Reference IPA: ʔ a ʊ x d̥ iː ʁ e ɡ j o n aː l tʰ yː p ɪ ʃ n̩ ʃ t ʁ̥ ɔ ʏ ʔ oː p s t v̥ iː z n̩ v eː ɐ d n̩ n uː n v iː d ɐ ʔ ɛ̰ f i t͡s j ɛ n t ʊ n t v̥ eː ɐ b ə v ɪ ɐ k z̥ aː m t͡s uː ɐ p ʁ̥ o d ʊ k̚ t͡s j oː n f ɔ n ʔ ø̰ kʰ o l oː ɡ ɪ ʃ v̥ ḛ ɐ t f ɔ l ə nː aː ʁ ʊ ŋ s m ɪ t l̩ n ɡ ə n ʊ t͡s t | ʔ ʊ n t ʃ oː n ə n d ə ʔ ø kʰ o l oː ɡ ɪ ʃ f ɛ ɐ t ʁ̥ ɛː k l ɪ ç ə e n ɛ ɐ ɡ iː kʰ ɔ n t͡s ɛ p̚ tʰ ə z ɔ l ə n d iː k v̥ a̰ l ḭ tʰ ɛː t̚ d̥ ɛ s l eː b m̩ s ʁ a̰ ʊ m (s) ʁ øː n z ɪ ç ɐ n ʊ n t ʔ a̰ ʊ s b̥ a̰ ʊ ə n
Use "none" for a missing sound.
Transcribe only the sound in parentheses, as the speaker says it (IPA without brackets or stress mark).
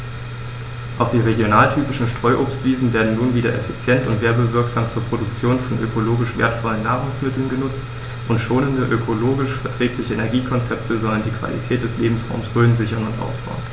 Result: s